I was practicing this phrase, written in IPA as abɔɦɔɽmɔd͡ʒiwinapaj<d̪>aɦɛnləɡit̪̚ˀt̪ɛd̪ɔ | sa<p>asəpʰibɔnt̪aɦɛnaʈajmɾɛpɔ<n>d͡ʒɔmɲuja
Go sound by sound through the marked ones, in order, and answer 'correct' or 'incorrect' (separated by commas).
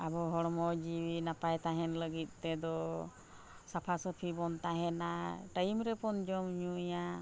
incorrect, incorrect, correct